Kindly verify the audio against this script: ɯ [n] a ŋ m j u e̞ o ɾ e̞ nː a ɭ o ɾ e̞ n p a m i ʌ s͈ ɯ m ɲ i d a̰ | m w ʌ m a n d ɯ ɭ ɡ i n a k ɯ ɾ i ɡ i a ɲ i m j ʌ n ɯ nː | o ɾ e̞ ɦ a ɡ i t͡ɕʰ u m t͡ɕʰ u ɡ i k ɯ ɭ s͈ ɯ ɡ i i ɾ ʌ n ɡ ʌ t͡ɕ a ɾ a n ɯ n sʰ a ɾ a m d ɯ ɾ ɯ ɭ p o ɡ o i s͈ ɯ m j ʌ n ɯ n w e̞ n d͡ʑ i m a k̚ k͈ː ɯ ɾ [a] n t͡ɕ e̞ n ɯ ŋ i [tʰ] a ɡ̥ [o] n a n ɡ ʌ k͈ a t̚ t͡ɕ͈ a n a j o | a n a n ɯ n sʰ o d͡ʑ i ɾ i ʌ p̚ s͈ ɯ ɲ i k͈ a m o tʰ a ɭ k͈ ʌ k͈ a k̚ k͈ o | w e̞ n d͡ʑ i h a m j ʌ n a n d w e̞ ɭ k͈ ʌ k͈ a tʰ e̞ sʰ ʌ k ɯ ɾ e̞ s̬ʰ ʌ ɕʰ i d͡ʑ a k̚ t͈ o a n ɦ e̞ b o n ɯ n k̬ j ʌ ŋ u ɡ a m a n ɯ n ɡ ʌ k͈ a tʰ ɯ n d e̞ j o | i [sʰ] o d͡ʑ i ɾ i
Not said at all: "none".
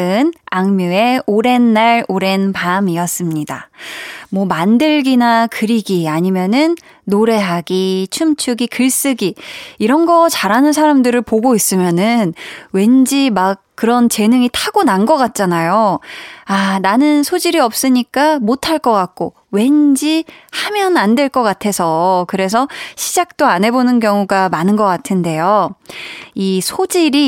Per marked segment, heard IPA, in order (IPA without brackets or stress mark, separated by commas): n, ʌ, tʰ, o, sʰ